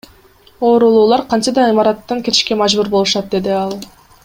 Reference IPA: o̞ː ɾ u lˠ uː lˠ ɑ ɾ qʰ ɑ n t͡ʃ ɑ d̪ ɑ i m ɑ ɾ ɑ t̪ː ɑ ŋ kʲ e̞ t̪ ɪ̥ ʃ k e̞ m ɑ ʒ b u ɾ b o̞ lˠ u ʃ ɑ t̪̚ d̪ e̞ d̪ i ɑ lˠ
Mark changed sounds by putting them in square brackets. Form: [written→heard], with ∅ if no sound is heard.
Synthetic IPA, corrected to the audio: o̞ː ɾ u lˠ uː lˠ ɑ ɾ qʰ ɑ n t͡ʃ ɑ d̪ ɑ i m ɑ ɾ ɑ t̪ː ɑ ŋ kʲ e̞ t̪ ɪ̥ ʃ k e̞ m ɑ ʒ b u ɾ b o̞ lˠ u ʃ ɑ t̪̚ d̪ e̞ d̪ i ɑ lˠ